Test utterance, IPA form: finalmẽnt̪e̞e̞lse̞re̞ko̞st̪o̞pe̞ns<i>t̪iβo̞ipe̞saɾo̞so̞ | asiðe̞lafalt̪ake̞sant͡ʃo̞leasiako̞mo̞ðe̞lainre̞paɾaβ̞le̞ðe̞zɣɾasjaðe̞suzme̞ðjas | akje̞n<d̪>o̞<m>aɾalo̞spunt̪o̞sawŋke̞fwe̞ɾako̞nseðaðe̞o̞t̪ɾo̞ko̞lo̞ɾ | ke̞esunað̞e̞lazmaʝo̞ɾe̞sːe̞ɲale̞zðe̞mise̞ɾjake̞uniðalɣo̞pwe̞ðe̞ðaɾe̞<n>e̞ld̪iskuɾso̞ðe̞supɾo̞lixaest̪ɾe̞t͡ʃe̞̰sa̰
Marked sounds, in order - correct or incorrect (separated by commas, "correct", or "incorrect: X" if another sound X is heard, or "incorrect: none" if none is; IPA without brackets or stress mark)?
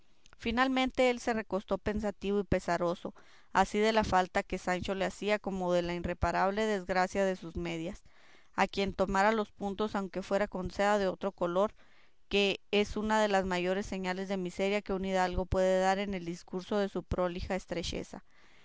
incorrect: a, incorrect: t̪, correct, correct